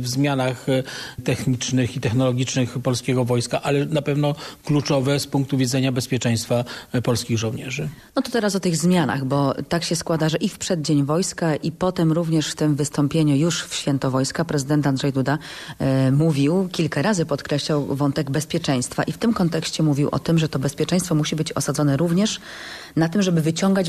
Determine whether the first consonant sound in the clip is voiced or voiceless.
voiced